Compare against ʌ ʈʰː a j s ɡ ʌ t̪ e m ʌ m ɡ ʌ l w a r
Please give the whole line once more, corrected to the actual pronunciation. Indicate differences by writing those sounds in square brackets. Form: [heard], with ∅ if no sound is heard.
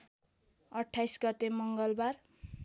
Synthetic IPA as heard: ʌ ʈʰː a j s ɡ ʌ t̪ e m ʌ [ŋ] ɡ ʌ l [b] a r